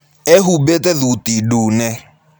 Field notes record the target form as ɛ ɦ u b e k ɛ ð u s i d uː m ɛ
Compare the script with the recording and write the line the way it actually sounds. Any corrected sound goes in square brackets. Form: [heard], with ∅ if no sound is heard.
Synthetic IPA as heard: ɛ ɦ u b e [t] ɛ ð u [t] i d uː [n] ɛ